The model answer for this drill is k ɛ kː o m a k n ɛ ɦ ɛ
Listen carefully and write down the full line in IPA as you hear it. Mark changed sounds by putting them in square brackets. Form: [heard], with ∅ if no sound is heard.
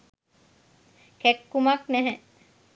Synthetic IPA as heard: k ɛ kː [u] m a k n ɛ ɦ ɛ